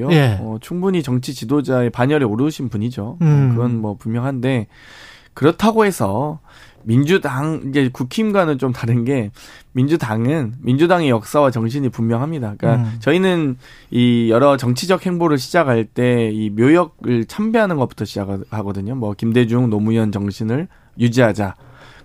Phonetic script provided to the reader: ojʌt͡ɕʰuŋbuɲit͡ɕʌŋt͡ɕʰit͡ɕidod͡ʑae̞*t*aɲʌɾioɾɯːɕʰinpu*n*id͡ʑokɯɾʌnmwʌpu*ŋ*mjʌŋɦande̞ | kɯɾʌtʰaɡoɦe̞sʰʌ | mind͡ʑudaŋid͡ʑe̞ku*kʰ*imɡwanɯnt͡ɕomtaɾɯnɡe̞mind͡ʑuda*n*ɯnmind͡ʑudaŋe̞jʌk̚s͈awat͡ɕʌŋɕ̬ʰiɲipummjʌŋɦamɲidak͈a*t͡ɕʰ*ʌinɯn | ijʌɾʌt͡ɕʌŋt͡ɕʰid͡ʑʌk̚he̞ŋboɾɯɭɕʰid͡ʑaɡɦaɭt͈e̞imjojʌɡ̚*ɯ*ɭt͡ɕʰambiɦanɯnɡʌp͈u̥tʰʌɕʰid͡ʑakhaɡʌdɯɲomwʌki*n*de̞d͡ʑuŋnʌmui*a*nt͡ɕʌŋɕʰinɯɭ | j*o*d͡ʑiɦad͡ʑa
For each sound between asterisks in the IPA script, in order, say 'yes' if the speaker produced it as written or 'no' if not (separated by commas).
no, no, no, yes, no, no, yes, no, no, no